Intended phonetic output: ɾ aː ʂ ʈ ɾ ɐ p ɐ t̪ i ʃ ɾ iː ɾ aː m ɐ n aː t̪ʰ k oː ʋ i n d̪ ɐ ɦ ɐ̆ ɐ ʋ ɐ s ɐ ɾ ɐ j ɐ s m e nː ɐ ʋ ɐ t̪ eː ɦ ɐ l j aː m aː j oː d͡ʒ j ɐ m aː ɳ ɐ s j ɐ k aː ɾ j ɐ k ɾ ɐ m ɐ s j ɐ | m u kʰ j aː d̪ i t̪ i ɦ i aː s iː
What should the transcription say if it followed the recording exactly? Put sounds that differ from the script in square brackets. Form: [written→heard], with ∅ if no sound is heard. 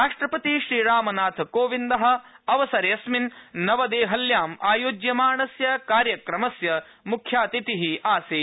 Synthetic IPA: ɾ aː ʂ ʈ ɾ ɐ p ɐ t̪ i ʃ ɾ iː ɾ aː m ɐ n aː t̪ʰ k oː ʋ i n d̪ ɐ ɦ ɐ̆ ɐ ʋ ɐ s ɐ ɾ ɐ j ɐ s m [e→i] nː ɐ ʋ ɐ [t̪→d̪] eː ɦ ɐ l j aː m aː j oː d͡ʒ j ɐ m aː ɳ ɐ s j ɐ k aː ɾ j ɐ k ɾ ɐ m ɐ s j ɐ | m u kʰ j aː [d̪→t̪] i t̪ i ɦ i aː s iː